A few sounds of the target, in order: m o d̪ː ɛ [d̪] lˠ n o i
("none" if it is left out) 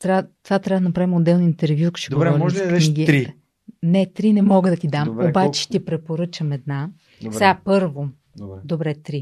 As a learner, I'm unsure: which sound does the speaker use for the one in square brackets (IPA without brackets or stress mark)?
none